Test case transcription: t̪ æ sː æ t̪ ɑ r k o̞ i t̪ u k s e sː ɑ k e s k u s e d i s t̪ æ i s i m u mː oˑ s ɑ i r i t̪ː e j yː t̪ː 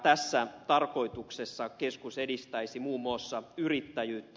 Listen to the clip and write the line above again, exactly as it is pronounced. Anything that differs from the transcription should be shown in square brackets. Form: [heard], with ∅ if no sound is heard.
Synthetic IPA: t̪ æ sː æ t̪ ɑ r k o̞ i t̪ u k s e sː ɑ k e s k u s e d i s t̪ æ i s i m [uː] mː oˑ [sː] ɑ [y] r i t̪ː [æ] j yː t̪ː